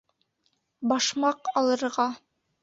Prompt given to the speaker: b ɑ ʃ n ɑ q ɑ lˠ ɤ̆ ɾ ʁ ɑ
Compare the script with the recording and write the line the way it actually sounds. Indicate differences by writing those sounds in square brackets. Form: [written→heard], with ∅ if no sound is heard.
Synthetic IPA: b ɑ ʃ [n→m] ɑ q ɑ lˠ ɤ̆ ɾ ʁ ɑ